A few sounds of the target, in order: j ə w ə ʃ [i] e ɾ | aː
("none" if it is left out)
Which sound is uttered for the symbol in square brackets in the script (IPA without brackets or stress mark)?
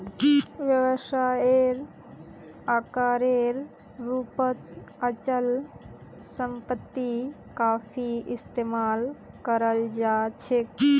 a